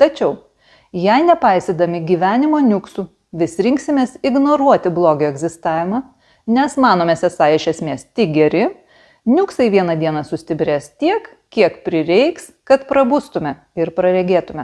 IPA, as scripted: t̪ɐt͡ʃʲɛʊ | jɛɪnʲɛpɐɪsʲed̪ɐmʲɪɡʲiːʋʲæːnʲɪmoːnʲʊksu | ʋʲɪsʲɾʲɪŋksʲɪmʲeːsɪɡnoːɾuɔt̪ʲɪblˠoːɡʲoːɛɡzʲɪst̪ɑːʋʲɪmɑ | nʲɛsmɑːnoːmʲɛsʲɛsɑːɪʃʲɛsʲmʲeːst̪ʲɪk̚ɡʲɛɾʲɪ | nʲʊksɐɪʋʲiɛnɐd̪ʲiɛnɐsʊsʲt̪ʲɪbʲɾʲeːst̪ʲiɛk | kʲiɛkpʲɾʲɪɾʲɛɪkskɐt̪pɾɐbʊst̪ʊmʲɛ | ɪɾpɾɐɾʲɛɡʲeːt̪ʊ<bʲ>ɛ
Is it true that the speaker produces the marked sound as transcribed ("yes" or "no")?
no